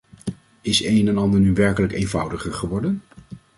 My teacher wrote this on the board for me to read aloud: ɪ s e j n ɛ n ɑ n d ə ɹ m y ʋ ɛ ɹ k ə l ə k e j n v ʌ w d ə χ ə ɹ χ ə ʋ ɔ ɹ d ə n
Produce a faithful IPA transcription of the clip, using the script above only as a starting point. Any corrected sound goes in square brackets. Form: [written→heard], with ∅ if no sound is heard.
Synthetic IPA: ɪ s e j n ɛ n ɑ n d ə ɹ [m→n] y ʋ ɛ ɹ k ə l ə k e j n v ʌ w d ə χ ə ɹ χ ə ʋ ɔ ɹ d ə n